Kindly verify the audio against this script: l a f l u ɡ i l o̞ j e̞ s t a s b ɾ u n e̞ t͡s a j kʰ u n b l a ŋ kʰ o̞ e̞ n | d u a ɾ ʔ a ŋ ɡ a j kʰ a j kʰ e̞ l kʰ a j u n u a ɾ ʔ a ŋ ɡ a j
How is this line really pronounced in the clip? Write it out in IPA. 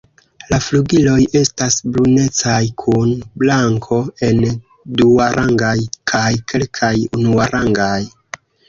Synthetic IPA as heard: l a f l u ɡ i l o̞ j e̞ s t a s b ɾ u n e̞ t͡s a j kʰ u n b l a ŋ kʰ o̞ e̞ n | d u a ɾ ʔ a ŋ ɡ a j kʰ a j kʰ e̞ l kʰ a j u n u a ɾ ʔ a ŋ ɡ a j